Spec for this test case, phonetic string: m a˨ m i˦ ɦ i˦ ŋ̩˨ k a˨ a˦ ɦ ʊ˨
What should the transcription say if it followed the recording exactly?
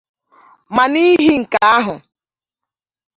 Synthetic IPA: m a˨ n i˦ ɦ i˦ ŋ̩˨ k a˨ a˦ ɦ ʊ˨